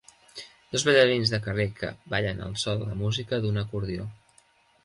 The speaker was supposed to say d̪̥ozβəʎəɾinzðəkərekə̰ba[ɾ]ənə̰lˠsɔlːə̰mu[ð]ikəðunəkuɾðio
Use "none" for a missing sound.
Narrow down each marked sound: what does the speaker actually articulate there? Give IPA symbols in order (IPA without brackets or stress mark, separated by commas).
ʎ, z